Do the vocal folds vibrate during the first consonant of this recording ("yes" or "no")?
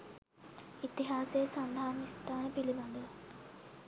no